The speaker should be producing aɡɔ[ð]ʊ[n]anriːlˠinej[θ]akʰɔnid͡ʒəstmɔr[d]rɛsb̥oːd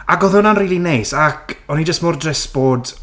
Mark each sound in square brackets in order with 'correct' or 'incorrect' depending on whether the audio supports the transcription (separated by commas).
correct, correct, incorrect, correct